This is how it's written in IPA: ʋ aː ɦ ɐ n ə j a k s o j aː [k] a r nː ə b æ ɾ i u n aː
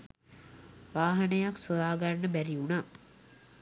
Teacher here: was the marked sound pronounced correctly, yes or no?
no